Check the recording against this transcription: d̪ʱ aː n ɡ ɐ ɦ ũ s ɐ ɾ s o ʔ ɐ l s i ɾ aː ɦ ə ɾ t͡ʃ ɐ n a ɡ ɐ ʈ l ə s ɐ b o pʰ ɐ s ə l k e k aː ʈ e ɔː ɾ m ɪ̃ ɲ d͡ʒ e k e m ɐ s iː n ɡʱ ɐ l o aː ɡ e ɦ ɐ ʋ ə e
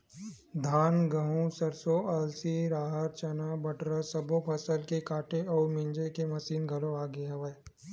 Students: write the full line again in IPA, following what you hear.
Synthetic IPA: d̪ʱ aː n ɡ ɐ ɦ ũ s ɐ ɾ s o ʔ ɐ l s i ɾ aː ɦ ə ɾ t͡ʃ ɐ n a b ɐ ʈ ɾ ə s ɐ b o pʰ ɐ s ə l k e k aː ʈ e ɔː ɾ m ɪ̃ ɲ d͡ʒ e k e m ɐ s iː n ɡʱ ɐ l o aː ɡ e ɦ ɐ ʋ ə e